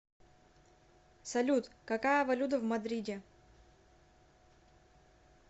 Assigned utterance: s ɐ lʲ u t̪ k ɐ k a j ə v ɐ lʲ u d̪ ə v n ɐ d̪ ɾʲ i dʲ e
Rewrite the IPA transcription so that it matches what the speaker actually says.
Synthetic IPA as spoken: s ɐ lʲ u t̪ k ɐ k a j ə v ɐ lʲ u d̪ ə v m ɐ d̪ ɾʲ i dʲ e

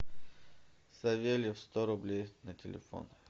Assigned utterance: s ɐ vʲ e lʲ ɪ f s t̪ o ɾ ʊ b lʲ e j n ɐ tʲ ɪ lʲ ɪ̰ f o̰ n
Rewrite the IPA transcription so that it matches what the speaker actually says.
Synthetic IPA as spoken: s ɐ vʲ e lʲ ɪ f s t̪ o ɾ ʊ b lʲ e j n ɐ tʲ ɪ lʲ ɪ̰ f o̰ n

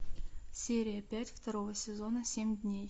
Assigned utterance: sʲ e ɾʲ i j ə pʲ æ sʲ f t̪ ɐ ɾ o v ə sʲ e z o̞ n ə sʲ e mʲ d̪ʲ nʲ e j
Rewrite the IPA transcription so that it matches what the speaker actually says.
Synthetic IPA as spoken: sʲ e ɾʲ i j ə pʲ æ tʲ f t̪ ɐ ɾ o v ə sʲ e z o̞ n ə sʲ e mʲ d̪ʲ nʲ e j

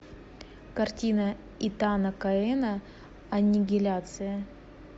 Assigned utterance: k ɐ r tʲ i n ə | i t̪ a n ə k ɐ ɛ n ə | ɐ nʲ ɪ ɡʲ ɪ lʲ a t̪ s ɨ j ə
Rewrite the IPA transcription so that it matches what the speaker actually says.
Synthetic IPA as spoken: k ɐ r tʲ i n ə | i t̪ a n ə k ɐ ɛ n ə | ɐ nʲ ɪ ɡʲ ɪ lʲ a t̪ s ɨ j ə

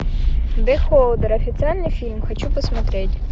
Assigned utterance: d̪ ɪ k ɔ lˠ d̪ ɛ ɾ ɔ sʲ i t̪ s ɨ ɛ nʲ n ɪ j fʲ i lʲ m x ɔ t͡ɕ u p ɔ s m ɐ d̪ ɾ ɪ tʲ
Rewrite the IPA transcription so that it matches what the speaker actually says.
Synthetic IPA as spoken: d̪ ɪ x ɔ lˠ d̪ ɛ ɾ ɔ fʲ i t̪ s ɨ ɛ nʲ n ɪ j fʲ i lʲ m x ɔ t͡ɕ u p ɔ s m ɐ t̪ ɾ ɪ tʲ

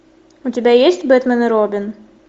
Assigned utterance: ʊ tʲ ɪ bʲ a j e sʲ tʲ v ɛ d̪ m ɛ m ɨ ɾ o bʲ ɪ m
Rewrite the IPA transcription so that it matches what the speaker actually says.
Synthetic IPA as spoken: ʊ tʲ ɪ bʲ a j e sʲ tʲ b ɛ t̪ m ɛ n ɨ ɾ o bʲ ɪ n

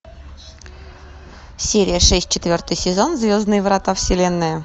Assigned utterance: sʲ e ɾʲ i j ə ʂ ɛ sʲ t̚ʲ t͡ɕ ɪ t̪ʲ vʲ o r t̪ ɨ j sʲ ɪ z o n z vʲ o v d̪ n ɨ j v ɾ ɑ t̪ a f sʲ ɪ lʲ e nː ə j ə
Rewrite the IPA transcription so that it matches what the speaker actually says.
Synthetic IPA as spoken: sʲ e ɾʲ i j ə ʂ ɛ sʲ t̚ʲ t͡ɕ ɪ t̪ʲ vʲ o r t̪ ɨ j sʲ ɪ z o n z vʲ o z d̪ n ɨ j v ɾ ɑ t̪ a f sʲ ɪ lʲ e nː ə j ə

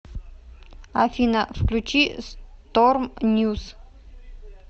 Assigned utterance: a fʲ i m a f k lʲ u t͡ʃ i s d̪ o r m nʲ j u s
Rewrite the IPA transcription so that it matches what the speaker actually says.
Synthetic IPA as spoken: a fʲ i n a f k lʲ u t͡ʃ i s t̪ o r m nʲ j u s

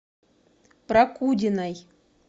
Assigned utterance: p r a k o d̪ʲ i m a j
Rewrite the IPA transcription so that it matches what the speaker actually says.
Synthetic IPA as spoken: p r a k u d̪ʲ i n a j

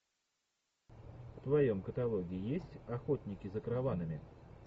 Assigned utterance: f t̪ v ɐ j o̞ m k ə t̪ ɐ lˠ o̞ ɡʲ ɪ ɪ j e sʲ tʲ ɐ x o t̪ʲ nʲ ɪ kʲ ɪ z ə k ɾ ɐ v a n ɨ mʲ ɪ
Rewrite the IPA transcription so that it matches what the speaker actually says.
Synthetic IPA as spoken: f t̪ v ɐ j o̞ m k ə t̪ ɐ lˠ o̞ ɡʲ ɪ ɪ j e sʲ tʲ ɐ x o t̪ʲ nʲ ɪ kʲ ɪ z ə k ɾ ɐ v a n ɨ mʲ ɪ

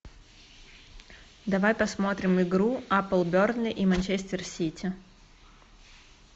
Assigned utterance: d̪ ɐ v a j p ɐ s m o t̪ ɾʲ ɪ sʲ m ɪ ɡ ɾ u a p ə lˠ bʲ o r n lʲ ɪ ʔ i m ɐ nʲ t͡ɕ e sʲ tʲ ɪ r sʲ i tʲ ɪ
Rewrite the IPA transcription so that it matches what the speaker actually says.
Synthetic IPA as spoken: d̪ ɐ v a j p ɐ s m o t̪ ɾʲ ɪ m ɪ ɡ ɾ u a p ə lˠ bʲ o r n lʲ ɪ ʔ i m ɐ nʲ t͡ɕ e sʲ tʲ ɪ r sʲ i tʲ ɪ

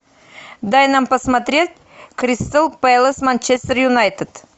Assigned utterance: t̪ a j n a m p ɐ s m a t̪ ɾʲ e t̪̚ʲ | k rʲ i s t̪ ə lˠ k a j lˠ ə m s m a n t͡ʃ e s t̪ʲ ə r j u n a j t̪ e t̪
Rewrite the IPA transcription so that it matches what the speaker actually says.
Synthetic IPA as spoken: d̪ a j n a m p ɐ s m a t̪ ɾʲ e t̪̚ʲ | k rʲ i s t̪ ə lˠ p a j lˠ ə s m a n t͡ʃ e s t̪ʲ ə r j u n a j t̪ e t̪

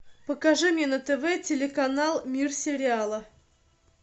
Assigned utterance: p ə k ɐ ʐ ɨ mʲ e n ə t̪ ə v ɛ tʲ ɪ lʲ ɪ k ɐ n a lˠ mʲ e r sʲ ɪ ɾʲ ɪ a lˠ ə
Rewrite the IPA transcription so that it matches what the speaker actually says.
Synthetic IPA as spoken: p ə k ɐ ʐ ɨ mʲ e n ə t̪ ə v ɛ tʲ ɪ lʲ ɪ k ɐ n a lˠ mʲ i r sʲ ɪ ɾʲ ɪ a lˠ ə

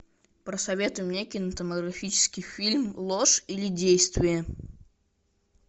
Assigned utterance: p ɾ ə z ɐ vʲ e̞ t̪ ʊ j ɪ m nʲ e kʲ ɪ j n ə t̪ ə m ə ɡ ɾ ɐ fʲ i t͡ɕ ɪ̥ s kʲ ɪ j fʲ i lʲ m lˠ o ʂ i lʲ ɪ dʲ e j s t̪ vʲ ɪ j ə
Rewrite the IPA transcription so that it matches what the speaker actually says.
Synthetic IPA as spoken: p ɾ ə s ɐ vʲ e̞ t̪ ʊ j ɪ m nʲ e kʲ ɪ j n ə t̪ ə m ə ɡ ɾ ɐ fʲ i t͡ɕ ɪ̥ s kʲ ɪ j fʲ i lʲ m lˠ o ʂ i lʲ ɪ dʲ e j s t̪ vʲ ɪ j ə

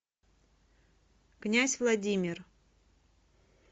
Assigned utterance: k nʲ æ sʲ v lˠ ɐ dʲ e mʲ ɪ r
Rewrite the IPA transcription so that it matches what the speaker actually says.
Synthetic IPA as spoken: k nʲ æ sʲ v lˠ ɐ dʲ i mʲ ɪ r

